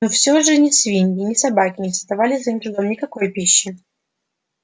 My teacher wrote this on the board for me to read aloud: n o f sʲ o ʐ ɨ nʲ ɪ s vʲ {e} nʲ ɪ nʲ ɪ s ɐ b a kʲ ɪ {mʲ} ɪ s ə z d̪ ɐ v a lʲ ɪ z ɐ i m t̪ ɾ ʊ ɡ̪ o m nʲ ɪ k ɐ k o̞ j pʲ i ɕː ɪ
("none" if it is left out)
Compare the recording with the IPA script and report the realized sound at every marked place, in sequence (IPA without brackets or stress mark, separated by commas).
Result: i, nʲ